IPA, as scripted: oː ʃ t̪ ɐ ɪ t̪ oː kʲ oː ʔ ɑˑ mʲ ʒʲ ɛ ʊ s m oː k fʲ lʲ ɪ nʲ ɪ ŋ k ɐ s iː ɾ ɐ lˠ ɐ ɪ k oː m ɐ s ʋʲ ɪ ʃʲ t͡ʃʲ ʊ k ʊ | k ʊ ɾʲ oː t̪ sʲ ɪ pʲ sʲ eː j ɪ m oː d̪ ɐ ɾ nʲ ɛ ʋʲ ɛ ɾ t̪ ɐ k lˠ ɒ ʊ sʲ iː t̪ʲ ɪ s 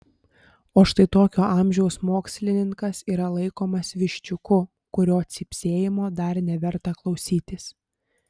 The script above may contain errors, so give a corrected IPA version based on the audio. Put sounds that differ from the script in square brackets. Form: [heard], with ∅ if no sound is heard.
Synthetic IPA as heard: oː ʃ t̪ ɐ ɪ t̪ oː kʲ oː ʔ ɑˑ mʲ ʒʲ ɛ ʊ s m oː k [sʲ] lʲ ɪ nʲ ɪ ŋ k ɐ s iː ɾ ɐ lˠ ɐ ɪ k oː m ɐ s ʋʲ ɪ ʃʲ t͡ʃʲ ʊ k ʊ | k ʊ ɾʲ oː t̪ sʲ ɪ pʲ sʲ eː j ɪ m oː d̪ ɐ ɾ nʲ ɛ ʋʲ ɛ ɾ t̪ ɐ k lˠ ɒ ʊ sʲ iː t̪ʲ ɪ s